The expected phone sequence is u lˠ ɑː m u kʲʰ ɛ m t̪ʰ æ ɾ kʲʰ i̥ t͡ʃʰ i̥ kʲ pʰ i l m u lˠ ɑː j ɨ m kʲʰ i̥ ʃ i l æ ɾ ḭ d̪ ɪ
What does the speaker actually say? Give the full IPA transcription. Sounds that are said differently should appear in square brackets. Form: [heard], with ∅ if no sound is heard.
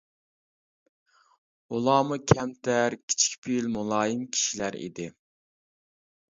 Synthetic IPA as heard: u lˠ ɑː m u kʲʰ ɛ m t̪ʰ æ ɾ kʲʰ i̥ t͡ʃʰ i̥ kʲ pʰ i l m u lˠ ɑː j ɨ m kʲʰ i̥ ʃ i l æ ɾ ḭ d̪ ɪ